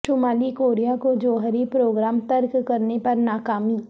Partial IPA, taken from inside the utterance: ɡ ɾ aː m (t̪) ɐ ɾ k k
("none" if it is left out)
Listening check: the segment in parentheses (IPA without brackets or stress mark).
t̪